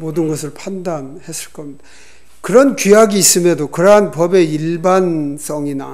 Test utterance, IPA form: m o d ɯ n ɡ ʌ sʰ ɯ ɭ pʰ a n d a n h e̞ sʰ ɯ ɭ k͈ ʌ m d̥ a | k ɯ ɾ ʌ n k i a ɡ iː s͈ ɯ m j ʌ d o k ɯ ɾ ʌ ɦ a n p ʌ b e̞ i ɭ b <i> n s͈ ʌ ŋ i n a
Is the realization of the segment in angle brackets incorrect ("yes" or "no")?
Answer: yes